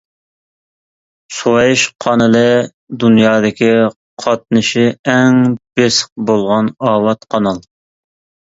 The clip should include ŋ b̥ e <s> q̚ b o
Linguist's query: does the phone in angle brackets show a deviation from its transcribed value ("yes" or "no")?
no